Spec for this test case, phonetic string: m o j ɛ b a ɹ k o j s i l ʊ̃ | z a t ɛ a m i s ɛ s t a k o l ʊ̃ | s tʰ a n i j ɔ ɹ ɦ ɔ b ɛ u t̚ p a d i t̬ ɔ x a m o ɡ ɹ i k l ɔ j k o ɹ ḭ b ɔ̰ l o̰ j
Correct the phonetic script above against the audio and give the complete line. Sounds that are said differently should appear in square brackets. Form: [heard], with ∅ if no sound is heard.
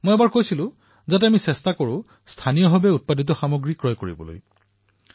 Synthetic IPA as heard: m o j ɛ b a ɹ k o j s i l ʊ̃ | z a t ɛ a m i s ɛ s t a k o [ɹ] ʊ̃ | s tʰ a n i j ɔ [∅] ɦ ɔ b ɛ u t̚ p a d i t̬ ɔ x a m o ɡ ɹ i k [ɹ] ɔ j k o ɹ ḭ b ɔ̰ l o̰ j